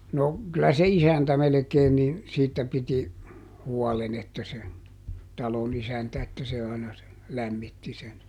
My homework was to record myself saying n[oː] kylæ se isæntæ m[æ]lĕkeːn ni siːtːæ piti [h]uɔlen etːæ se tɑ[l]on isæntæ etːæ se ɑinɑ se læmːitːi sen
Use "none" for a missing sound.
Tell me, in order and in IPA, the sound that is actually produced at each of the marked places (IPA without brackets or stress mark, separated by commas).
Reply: o, e, h, l